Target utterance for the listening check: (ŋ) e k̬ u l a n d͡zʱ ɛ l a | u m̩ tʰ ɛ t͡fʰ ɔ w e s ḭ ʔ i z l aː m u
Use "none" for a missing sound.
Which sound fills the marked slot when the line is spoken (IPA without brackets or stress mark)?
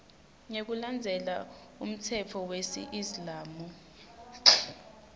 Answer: ŋ